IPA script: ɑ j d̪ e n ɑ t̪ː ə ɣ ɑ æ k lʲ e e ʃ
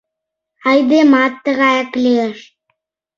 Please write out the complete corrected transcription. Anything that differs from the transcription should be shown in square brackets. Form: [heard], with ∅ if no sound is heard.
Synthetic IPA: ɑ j d̪ e [m] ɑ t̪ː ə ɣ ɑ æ k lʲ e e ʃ